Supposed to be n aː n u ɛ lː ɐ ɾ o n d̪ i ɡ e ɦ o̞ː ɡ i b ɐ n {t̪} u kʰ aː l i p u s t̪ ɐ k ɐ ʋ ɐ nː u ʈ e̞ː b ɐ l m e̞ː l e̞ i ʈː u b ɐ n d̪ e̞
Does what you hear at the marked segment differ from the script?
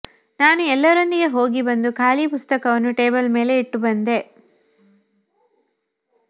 yes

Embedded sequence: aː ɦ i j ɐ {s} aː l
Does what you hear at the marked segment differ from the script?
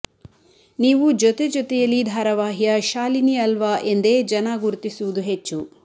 yes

